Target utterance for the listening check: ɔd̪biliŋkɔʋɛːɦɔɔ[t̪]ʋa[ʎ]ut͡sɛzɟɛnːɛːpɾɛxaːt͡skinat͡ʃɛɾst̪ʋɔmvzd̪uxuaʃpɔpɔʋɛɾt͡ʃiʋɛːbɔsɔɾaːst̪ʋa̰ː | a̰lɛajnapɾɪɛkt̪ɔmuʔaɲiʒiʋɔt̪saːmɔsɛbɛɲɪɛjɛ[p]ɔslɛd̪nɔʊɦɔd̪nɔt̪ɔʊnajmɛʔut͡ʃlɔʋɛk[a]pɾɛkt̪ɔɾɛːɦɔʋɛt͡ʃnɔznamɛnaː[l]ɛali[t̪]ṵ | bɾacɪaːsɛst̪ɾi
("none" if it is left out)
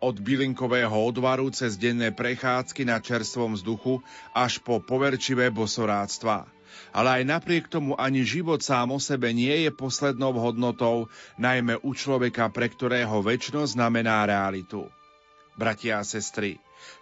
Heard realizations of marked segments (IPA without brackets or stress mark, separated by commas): d̪, ɾ, p, a, ɾ, t̪